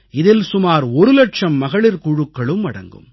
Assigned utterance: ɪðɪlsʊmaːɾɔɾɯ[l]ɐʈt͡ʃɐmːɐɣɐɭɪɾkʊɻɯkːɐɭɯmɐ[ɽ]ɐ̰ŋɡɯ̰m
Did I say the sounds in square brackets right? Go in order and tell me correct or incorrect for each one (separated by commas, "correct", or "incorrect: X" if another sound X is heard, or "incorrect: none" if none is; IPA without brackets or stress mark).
correct, correct